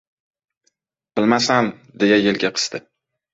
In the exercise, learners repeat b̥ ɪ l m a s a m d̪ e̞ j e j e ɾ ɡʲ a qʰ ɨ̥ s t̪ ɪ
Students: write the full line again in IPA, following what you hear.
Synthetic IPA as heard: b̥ ɪ l m a s a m d̪ e̞ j a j e l ɡʲ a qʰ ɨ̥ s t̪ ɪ